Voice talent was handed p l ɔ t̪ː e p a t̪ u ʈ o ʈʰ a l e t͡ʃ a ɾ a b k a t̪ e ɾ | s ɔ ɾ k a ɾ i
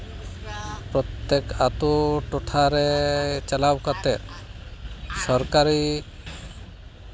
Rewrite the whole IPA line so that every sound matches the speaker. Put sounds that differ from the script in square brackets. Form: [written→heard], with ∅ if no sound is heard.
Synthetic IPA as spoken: p [l→ɾ] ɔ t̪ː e [p→k] a t̪ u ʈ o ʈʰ a [l→ɾ] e t͡ʃ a [ɾ→l] a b k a t̪ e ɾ | s ɔ ɾ k a ɾ i